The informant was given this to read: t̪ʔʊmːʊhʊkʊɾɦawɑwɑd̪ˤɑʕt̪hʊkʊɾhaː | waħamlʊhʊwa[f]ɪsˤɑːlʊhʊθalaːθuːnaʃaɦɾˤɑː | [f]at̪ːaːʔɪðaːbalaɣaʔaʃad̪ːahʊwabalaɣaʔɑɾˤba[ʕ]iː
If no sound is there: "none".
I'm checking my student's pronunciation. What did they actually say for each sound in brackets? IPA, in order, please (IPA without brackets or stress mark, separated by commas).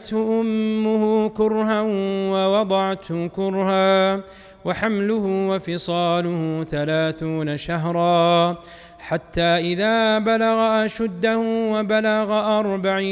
f, ħ, ʕ